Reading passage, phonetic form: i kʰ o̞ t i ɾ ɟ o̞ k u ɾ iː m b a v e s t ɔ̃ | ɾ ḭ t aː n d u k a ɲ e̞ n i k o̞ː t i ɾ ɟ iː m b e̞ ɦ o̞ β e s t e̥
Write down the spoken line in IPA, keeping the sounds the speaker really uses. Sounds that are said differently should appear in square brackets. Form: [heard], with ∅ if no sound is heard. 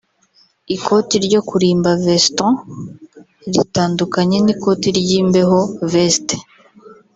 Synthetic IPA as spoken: i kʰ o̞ t i ɾ ɟ o̞ k u ɾ iː m b a v e s t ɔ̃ | ɾ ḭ t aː n d u k a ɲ e̞ n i k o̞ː t i ɾ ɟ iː m b e̞ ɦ o̞ [v] e s t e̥